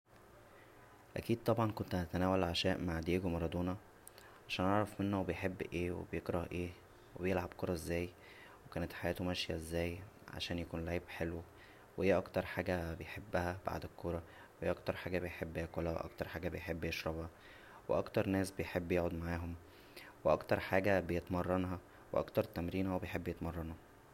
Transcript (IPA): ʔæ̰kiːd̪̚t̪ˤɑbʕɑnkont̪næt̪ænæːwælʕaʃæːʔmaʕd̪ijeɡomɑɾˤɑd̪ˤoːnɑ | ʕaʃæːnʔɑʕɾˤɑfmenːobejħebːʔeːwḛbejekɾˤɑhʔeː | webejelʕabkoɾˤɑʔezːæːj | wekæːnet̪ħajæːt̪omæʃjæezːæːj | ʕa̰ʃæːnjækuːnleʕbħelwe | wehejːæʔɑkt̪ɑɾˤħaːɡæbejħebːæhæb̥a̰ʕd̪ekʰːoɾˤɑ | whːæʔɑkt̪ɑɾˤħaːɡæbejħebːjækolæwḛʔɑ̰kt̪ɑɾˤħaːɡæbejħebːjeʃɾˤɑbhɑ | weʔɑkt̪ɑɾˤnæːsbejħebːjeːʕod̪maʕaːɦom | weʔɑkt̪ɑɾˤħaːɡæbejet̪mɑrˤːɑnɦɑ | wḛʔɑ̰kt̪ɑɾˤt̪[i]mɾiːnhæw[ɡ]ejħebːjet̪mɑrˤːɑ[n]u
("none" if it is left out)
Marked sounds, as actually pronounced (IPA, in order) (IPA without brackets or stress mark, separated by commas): æ, b, n